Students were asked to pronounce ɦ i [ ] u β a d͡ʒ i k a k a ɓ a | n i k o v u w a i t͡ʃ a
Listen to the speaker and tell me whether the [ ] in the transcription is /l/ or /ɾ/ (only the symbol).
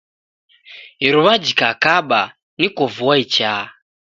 ɾ